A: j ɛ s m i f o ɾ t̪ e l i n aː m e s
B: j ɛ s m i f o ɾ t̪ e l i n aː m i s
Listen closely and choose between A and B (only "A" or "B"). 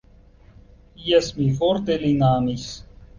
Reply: B